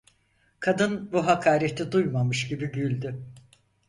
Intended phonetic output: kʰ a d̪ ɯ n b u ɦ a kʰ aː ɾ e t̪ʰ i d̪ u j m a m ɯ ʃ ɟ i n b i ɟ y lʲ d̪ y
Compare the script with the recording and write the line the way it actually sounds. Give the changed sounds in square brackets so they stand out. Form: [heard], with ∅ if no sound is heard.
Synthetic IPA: kʰ a d̪ ɯ n b u ɦ a kʰ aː ɾ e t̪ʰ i d̪ u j m a m ɯ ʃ ɟ i [∅] b i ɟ y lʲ d̪ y

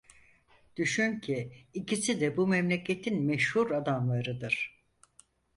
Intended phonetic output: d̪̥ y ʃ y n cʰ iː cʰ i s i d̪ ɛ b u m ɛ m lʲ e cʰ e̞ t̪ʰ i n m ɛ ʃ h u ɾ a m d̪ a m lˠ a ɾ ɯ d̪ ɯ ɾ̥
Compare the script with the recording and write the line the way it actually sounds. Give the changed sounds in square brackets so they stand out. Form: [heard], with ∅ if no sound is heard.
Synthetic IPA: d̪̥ y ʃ y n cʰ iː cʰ i s i d̪ ɛ b u m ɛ m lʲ e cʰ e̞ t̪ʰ i n m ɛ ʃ h u ɾ a [∅] d̪ a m lˠ a ɾ ɯ d̪ ɯ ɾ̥

